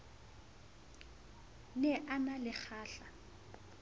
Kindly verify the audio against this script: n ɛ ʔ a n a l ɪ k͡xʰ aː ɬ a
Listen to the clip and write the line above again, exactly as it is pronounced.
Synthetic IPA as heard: n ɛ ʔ a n a l ɪ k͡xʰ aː ɬ a